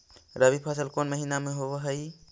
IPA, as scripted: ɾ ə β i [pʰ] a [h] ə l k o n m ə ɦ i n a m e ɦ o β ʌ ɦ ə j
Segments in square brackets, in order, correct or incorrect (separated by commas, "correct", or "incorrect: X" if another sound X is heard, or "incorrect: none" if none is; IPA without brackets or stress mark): correct, incorrect: s